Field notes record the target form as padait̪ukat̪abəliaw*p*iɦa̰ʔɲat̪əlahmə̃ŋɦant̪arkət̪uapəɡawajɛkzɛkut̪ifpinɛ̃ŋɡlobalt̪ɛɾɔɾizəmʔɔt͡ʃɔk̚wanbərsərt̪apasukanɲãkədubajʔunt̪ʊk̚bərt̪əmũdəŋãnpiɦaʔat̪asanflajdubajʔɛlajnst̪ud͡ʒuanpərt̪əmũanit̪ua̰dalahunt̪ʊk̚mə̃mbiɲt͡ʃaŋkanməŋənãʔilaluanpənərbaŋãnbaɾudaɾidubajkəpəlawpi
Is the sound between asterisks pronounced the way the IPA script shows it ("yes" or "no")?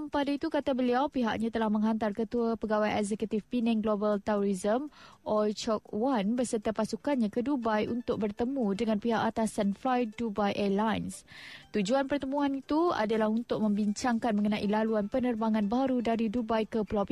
yes